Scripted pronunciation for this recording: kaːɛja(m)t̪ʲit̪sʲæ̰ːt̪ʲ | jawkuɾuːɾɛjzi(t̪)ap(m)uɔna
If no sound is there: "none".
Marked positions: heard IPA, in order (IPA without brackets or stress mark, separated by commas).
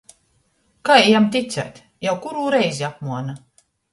m, none, m